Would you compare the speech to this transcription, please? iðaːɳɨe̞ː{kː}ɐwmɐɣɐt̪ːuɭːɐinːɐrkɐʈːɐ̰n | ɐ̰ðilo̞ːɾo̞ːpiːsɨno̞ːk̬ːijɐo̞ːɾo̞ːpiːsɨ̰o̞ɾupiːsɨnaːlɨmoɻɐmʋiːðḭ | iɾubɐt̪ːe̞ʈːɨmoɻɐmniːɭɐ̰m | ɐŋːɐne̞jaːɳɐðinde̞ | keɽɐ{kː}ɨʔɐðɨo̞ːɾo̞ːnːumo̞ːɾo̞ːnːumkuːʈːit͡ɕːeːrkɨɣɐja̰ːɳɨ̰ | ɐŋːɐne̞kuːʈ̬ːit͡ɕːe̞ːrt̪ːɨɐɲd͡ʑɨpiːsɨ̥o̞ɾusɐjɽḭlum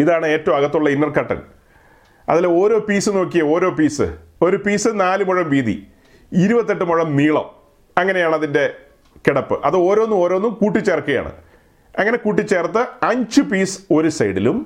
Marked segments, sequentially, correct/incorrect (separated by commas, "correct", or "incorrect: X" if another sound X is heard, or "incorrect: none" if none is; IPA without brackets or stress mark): incorrect: tː, incorrect: pː